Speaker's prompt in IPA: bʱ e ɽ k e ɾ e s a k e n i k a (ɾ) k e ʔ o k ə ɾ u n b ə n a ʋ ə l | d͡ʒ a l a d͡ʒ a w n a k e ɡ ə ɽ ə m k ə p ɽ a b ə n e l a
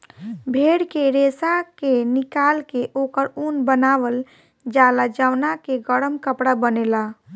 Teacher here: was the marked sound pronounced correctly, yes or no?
no